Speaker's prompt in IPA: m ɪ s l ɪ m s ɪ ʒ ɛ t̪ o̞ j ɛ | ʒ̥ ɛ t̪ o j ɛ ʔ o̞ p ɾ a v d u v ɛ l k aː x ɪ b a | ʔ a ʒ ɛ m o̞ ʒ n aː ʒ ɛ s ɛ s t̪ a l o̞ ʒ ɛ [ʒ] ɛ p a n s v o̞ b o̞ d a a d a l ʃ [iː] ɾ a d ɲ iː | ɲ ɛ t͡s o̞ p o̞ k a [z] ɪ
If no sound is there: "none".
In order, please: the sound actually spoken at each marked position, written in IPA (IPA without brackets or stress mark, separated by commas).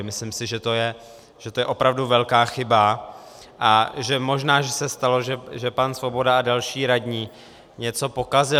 ʒ, iː, z